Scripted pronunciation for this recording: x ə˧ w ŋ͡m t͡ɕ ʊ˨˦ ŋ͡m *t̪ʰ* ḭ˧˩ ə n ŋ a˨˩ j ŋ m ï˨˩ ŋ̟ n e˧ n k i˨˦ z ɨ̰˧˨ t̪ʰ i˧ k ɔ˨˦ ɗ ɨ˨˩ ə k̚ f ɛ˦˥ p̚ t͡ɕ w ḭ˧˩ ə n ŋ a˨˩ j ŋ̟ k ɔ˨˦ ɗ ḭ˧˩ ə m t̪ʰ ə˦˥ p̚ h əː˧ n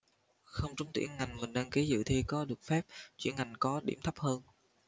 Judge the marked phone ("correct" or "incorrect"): incorrect